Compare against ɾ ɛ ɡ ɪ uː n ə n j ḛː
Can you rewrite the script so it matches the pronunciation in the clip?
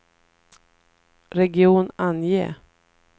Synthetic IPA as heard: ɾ ɛ ɡ ɪ uː n a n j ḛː

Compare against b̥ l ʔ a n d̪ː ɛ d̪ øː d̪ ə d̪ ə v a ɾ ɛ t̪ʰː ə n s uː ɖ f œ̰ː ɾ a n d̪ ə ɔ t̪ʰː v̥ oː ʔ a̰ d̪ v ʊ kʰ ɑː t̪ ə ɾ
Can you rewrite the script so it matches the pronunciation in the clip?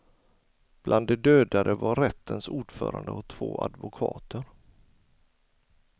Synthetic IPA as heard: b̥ l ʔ a n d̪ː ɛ d̪ øː d̪ a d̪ ə v a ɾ ɛ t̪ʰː ə n s uː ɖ f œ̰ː ɾ a n d̪ ə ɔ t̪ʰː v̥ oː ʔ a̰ d̪ v ʊ kʰ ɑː t̪ ə ɾ

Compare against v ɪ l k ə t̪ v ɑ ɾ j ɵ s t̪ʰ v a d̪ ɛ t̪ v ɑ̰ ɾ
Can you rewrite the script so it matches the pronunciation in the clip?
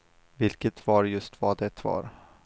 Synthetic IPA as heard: v ɪ l k ə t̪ v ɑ ɾ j ɵ s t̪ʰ v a d̪ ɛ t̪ v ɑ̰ ɾ

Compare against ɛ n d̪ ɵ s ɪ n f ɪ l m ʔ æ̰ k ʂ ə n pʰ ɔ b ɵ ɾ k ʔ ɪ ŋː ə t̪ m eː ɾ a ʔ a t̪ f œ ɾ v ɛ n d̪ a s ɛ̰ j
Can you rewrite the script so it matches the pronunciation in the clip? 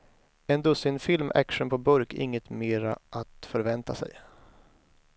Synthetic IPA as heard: ɛ n d̪ ɵ s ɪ n f ɪ l m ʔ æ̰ k ʂ ə n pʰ ɔ b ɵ ɾ k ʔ ɪ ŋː ə t̪ m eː ɾ a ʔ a t̪ f œ ɾ v ɛ n t̪ a s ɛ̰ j

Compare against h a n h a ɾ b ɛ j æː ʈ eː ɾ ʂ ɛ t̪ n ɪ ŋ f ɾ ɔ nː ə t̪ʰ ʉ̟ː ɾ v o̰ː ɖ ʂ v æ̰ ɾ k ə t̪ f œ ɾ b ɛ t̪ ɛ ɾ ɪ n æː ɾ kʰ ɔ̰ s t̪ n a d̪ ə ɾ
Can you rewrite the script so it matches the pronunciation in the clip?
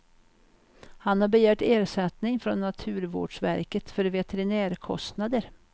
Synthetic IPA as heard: h a n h a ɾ b ɛ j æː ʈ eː ɾ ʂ ɛ t̪ n ɪ ŋ f ɾ ɔ nː a t̪ʰ ʉ̟ː ɾ v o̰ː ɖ ʂ v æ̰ ɾ k ə t̪ f œ ɾ v ɛ t̪ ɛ ɾ ɪ n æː ɾ kʰ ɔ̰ s t̪ n a d̪ ə ɾ

